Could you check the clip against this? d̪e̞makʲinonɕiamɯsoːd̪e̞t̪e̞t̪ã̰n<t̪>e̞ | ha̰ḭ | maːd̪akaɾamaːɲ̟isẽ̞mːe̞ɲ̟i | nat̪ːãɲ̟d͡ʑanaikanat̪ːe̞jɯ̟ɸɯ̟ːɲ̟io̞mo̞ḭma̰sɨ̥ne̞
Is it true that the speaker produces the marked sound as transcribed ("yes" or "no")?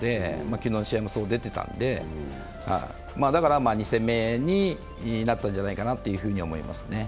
no